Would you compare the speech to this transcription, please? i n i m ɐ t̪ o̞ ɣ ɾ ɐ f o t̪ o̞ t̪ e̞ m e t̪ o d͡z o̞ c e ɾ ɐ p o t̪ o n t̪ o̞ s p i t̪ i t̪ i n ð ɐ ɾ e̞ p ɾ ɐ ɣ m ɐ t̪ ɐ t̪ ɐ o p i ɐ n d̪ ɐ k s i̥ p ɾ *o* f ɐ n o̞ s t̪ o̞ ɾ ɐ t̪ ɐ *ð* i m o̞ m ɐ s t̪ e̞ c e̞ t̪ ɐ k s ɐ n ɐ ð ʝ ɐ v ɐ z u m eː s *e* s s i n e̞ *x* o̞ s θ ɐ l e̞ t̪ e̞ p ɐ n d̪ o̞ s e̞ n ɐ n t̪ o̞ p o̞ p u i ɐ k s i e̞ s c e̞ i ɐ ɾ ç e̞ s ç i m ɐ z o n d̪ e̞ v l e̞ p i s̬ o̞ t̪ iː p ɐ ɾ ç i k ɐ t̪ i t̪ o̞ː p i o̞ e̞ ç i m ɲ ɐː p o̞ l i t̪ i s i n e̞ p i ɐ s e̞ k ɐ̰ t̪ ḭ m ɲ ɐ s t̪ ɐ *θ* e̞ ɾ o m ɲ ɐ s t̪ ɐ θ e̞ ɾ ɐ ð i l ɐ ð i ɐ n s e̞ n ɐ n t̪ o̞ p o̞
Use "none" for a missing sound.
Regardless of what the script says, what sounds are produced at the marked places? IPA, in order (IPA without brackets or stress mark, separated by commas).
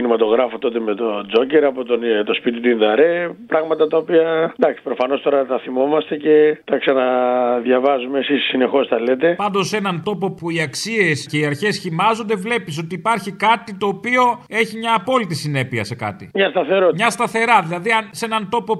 o, θ, i, x, θ